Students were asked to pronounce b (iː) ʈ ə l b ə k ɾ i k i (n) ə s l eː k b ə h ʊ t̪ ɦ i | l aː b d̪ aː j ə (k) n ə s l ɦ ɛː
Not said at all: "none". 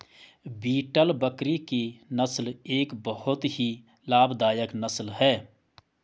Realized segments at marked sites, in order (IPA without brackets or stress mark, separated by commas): iː, n, k